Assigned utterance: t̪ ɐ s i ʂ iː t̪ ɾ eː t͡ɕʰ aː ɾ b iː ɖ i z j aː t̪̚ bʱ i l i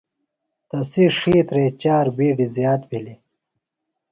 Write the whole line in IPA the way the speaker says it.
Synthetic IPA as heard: t̪ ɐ s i ʂ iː t̪ ɾ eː t͡ɕ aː ɾ b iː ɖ i z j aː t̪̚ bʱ i l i